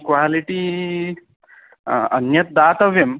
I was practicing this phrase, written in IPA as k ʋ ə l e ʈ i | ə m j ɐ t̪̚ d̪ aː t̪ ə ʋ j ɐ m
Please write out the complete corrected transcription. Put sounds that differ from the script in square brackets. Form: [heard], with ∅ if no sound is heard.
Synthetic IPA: k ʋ [a] l [i] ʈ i | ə [n] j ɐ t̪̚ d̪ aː t̪ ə ʋ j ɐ m